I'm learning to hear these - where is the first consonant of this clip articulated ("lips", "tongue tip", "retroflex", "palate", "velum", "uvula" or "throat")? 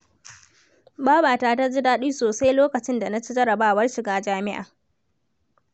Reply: lips